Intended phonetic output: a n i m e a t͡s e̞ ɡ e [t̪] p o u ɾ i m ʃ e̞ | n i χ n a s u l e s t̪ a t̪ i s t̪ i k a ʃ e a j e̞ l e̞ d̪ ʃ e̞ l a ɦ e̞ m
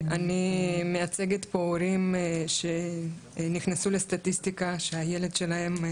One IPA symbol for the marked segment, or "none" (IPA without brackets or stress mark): t̪